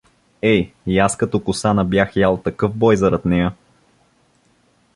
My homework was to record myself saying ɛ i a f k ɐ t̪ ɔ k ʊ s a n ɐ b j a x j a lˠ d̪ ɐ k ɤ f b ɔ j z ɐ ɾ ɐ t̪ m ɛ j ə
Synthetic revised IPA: ɛ j a s k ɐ t̪ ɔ k ʊ s a n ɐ b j a x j a lˠ t̪ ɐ k ɤ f b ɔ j z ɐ ɾ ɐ t̪ n ɛ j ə